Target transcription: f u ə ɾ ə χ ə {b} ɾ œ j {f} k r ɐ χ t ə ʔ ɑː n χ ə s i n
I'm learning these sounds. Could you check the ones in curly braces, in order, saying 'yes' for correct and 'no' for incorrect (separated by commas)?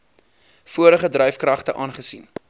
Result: no, yes